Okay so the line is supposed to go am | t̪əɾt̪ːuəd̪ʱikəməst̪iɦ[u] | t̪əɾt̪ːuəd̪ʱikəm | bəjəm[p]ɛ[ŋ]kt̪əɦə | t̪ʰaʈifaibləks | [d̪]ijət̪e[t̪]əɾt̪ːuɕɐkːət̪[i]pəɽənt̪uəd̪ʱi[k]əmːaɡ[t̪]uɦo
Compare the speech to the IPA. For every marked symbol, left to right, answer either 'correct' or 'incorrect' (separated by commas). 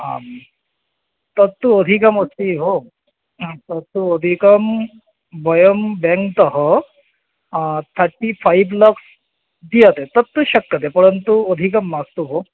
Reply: incorrect, incorrect, correct, correct, correct, incorrect, correct, correct